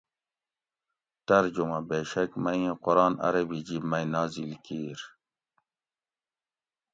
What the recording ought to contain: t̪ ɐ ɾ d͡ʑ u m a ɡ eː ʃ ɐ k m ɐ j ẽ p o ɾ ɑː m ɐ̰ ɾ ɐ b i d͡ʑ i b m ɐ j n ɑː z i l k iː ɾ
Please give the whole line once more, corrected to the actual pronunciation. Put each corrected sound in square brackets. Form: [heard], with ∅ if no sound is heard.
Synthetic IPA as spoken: t̪ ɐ ɾ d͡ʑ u m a [b] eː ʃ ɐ k m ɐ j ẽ [q] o ɾ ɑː [n] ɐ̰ ɾ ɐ b i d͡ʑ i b m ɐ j n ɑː z i l k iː ɾ